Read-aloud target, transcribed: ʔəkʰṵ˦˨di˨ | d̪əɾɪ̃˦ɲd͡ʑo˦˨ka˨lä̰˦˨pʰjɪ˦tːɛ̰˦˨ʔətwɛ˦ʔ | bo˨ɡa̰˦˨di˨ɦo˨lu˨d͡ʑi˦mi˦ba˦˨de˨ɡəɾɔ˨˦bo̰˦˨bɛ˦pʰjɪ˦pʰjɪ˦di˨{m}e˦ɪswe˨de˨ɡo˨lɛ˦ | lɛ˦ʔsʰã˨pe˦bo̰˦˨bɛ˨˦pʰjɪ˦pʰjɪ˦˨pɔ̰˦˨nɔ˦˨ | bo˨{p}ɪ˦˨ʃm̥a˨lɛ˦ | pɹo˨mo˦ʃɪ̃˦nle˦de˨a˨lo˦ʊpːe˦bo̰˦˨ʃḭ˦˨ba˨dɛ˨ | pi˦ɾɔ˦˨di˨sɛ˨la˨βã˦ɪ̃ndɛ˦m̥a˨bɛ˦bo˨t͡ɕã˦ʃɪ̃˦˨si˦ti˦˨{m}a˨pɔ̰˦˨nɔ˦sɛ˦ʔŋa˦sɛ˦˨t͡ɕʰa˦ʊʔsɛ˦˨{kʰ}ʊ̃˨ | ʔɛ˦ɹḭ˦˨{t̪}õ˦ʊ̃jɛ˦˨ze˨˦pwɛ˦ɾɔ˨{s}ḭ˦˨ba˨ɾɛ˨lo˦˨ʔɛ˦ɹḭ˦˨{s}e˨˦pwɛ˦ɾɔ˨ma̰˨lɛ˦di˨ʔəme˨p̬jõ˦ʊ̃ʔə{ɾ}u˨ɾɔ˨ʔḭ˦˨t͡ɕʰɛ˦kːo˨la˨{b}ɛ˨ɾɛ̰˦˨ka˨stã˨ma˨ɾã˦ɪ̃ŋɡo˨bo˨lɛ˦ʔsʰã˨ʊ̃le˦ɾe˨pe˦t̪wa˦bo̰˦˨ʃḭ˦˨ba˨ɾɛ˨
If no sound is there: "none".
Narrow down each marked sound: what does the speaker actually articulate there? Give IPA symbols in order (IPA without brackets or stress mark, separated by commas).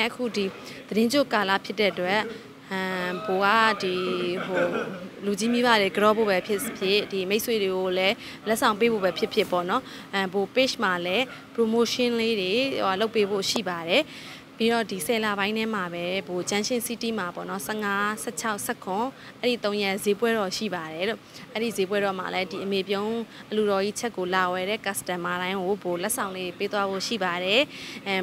m, p, m, kʰ, t̪, ʃ, z, l, w